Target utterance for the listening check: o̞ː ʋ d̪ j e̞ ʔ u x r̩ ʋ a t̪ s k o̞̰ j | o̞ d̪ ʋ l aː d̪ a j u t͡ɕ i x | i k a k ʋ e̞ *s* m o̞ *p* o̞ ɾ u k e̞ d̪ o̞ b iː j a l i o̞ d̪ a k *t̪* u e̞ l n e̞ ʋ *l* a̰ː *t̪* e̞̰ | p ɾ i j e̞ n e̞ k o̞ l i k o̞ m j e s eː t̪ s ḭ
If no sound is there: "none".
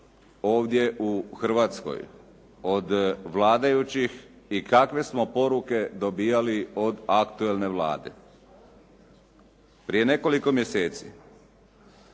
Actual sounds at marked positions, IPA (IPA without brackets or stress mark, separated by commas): s, p, t̪, l, d̪